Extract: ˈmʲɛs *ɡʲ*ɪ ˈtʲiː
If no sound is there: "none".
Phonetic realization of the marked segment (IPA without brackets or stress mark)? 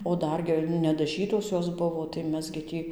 ɡʲ